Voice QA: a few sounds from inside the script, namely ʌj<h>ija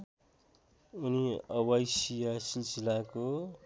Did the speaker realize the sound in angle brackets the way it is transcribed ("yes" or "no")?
no